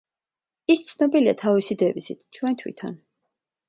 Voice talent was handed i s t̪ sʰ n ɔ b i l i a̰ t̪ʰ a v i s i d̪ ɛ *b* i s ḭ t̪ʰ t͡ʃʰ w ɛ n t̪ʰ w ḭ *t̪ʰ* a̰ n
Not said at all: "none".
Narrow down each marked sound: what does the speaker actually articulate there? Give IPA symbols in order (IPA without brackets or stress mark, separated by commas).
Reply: v, t̪ʰ